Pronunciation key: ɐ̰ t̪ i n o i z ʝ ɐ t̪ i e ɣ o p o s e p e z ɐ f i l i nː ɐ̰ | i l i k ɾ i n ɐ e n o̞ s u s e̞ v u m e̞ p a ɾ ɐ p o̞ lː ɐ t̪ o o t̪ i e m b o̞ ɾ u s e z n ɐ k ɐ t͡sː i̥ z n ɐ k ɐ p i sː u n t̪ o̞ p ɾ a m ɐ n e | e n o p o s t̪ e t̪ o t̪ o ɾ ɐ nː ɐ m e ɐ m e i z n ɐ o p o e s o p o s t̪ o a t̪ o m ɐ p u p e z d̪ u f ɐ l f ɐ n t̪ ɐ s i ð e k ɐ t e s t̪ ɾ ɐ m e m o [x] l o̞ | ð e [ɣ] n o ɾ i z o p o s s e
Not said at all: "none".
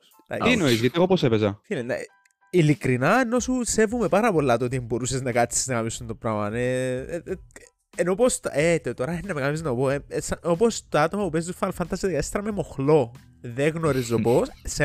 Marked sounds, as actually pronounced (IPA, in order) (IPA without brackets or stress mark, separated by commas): x, ɣ